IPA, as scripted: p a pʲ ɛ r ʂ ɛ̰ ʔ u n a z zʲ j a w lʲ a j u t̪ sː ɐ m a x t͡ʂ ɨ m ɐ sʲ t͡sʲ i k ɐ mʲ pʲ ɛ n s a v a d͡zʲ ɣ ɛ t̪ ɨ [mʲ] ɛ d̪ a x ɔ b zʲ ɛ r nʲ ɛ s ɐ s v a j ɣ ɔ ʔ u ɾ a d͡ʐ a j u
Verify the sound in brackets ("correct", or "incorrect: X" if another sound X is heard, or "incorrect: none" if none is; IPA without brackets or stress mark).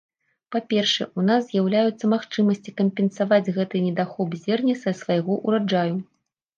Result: incorrect: nʲ